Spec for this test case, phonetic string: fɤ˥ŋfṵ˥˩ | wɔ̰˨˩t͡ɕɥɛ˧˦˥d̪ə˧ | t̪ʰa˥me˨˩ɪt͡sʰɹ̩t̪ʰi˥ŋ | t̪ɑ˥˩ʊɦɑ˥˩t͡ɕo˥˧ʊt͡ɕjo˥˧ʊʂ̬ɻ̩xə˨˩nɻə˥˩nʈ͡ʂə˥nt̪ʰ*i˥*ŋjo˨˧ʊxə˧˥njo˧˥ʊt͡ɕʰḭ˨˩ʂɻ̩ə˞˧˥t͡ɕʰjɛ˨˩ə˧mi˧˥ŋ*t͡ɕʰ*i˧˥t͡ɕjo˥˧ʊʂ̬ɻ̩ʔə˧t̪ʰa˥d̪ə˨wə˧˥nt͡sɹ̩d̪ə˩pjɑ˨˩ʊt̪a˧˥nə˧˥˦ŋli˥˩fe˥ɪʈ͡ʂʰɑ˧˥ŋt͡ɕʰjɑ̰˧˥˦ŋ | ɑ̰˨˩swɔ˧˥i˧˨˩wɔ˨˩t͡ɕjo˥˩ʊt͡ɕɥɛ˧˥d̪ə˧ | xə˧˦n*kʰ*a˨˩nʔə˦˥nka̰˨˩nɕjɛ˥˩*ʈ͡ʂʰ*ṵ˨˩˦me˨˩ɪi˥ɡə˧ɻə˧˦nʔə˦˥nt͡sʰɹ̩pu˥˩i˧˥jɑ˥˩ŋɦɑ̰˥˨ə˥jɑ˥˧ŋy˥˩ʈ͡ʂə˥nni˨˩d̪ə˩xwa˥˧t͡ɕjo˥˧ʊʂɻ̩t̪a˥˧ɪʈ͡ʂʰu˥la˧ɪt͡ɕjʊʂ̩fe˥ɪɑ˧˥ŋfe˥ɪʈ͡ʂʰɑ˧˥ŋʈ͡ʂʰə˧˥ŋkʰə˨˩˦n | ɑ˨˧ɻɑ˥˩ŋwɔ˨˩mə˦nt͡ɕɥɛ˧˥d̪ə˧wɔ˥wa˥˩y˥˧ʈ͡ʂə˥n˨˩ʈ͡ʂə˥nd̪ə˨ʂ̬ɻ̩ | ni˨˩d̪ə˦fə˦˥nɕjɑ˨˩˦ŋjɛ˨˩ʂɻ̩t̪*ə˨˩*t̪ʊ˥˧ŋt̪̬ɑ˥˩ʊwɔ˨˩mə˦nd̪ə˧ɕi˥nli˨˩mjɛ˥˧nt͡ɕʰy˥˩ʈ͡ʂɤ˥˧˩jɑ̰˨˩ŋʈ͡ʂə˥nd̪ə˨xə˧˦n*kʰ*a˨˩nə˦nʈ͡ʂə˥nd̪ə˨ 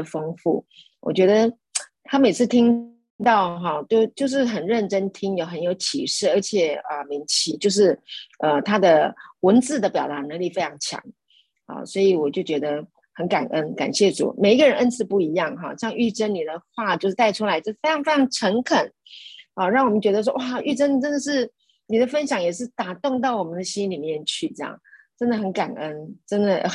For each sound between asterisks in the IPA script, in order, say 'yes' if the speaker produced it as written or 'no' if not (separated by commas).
yes, yes, no, no, no, no